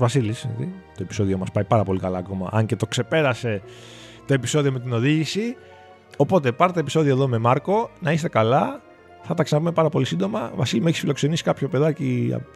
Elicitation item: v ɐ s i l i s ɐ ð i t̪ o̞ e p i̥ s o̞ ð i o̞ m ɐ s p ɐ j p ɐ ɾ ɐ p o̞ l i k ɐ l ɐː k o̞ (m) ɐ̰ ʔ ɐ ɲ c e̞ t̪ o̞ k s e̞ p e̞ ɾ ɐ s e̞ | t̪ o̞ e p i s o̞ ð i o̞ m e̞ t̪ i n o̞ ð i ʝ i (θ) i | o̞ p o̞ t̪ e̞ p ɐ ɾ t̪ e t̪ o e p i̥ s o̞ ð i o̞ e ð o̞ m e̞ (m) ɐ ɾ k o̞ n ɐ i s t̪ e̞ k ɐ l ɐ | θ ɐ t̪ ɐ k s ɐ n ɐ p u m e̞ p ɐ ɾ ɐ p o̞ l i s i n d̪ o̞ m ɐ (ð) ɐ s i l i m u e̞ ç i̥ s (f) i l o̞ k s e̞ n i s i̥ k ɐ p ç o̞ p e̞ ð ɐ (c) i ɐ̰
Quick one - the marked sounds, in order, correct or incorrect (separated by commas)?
correct, incorrect, correct, incorrect, correct, correct